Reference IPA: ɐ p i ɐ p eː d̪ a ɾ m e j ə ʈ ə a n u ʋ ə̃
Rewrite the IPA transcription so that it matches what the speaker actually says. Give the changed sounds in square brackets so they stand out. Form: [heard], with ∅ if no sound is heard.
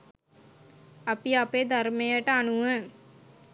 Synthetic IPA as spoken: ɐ p i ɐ p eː d̪ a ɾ m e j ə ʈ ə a n u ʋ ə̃